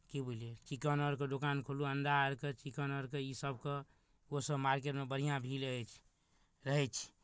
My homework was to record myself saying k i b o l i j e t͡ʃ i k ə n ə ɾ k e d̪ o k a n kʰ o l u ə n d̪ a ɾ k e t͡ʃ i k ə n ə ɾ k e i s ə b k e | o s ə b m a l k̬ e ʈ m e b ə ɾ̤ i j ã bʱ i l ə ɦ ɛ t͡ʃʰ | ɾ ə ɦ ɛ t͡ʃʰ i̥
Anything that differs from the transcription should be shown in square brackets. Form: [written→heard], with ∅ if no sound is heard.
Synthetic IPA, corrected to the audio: k i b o l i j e t͡ʃ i k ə n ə ɾ k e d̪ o k a n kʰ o l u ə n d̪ a ɾ k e t͡ʃ i k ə n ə ɾ k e i s ə b k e | o s ə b m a [l→ɾ] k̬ e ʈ m e b ə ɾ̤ i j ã bʱ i l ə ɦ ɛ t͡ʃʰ | ɾ ə ɦ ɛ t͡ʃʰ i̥